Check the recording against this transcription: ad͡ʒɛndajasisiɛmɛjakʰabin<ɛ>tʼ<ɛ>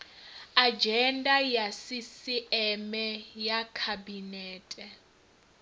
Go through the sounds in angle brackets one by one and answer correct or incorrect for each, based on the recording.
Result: incorrect: ɛː, correct

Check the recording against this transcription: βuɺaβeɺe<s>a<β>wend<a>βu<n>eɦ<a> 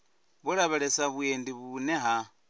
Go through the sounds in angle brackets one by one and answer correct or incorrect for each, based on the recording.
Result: correct, correct, incorrect: i, correct, correct

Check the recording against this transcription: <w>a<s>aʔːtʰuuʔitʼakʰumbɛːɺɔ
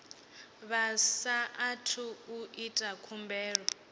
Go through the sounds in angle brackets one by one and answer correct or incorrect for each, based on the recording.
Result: incorrect: β, correct

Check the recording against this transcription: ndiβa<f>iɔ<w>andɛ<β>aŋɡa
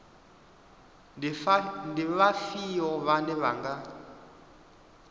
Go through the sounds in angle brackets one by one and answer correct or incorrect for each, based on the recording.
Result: correct, incorrect: β, correct

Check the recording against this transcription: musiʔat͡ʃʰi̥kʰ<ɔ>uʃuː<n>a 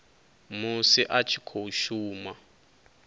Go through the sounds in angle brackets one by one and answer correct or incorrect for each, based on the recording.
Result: incorrect: o, incorrect: m

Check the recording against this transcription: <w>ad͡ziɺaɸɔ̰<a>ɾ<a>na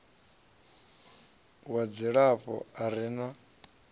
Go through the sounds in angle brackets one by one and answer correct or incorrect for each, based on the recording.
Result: correct, correct, incorrect: i

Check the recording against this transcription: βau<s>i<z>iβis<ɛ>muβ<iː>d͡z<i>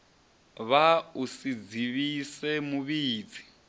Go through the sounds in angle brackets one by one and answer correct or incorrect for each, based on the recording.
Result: correct, incorrect: d͡z, correct, correct, correct

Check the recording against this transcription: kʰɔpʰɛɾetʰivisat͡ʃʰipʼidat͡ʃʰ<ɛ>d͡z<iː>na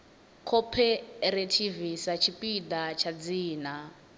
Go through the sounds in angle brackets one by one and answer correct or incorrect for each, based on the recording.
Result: incorrect: a, correct

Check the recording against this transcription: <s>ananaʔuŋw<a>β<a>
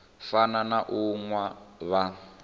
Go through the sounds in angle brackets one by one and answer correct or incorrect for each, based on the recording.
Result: incorrect: f, correct, correct

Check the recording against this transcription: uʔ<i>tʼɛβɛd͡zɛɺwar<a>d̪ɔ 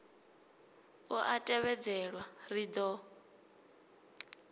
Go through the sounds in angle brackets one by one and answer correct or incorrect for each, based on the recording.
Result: incorrect: a, incorrect: i

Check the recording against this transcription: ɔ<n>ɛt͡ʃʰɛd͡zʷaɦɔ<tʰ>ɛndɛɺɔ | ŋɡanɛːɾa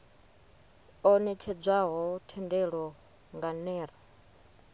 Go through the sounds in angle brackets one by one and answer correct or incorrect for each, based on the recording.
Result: correct, correct

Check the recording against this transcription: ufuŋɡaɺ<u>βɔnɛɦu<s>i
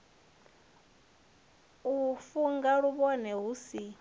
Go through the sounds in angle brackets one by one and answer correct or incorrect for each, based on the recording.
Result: correct, correct

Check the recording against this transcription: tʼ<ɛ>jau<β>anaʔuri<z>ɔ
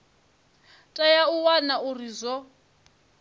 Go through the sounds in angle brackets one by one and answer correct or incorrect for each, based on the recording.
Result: incorrect: a, incorrect: w, correct

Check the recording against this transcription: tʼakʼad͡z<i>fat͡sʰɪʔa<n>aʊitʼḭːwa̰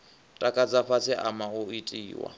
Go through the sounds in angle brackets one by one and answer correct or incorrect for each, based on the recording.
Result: incorrect: a, incorrect: m

